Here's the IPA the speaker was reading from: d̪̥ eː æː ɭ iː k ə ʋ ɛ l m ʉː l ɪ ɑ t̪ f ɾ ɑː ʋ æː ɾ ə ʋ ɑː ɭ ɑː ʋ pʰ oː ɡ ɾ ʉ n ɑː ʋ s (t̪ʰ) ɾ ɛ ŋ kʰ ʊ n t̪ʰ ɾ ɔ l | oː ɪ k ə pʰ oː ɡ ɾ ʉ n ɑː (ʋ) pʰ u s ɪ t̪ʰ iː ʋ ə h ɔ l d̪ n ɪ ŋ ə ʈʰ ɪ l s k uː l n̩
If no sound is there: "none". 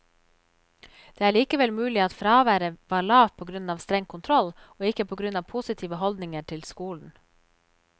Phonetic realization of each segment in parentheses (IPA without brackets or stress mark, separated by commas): t̪, ʋ